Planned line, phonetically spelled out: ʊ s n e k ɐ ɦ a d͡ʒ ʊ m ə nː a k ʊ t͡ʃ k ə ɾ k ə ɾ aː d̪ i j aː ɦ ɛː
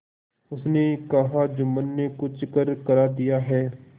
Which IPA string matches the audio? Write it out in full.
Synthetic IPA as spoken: ʊ s n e k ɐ ɦ a d͡ʒ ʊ m ə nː e k ʊ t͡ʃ k ə ɾ k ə ɾ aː d̪ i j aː ɦ ɛː